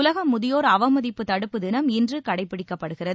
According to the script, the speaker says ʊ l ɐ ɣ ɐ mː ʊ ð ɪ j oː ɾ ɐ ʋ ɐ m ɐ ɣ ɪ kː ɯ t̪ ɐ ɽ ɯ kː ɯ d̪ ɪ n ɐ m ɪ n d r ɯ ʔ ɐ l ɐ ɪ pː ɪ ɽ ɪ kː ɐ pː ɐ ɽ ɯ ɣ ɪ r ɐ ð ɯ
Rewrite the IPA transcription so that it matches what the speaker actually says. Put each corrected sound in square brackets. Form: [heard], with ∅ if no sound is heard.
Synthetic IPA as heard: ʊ l ɐ ɣ ɐ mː ʊ ð ɪ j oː ɾ ɐ ʋ ɐ m ɐ [ð] ɪ [pː] ɯ t̪ ɐ ɽ ɯ [pː] ɯ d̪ ɪ n ɐ m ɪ n d r ɯ [k] ɐ [ɽ] ɐ ɪ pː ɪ ɽ ɪ kː ɐ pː ɐ ɽ ɯ ɣ ɪ r ɐ ð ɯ